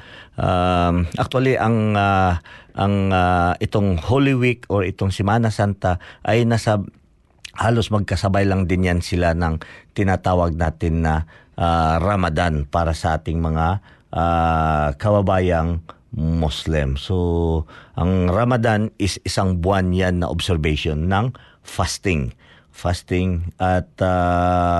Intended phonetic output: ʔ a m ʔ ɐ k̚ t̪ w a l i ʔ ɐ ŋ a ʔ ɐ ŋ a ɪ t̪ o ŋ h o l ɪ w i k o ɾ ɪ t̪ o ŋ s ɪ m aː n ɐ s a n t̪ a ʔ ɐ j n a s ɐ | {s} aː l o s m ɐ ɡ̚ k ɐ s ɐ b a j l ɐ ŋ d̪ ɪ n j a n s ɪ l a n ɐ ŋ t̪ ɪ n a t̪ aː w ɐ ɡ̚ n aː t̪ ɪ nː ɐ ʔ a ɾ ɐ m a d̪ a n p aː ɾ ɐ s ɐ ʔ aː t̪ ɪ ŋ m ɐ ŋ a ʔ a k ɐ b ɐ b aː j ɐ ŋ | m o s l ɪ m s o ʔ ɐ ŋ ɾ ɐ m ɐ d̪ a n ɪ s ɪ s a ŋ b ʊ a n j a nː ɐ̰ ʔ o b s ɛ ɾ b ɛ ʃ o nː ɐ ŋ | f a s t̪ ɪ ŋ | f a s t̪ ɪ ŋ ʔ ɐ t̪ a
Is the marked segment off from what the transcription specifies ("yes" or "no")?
yes